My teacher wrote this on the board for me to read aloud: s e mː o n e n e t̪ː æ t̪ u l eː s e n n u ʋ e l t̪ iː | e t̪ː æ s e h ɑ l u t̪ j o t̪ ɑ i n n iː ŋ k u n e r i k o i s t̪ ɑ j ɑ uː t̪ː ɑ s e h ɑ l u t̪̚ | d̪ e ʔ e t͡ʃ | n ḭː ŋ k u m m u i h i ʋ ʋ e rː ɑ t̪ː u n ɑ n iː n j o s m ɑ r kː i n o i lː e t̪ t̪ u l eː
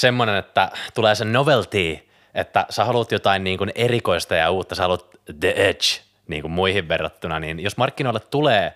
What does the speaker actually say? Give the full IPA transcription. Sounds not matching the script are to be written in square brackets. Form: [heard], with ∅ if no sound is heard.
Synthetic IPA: s e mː o n e n e t̪ː æ t̪ u l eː s e n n [o] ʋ e l t̪ iː | e t̪ː æ s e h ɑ l u t̪ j o t̪ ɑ i n n iː ŋ k u n e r i k o i s t̪ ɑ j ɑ uː t̪ː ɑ s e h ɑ l u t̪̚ | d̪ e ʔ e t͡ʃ | n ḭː ŋ k u m m u i h i ʋ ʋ e rː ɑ t̪ː u n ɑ n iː n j o s m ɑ r kː i n o i lː e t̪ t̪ u l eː